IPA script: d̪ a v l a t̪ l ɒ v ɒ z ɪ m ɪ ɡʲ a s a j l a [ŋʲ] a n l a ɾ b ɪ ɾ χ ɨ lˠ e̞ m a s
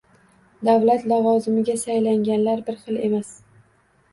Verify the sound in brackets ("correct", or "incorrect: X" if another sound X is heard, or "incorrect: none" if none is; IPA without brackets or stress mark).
correct